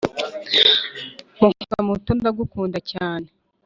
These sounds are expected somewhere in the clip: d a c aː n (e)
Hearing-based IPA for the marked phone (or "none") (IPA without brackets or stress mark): e